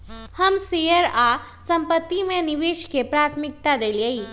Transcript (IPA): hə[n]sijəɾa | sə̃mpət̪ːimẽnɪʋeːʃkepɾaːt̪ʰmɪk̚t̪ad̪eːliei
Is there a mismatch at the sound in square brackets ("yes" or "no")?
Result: yes